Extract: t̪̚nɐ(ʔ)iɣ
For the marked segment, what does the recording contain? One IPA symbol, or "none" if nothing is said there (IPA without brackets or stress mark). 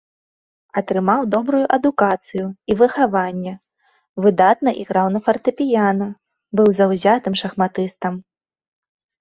ʔ